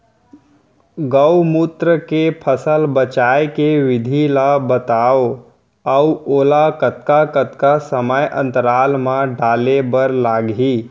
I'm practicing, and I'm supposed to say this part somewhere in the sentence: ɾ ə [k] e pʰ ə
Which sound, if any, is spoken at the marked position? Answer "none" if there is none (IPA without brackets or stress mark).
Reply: k